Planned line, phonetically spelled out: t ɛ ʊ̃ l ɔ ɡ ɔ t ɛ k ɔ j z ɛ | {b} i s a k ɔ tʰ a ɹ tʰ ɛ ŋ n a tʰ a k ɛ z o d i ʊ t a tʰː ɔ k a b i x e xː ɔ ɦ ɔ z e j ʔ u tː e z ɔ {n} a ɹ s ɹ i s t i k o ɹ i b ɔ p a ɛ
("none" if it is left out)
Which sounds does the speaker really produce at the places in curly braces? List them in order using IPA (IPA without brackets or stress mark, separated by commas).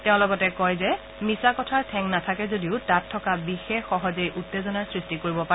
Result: m, n